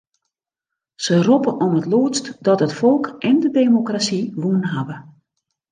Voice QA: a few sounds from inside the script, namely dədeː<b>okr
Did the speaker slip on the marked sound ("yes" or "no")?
yes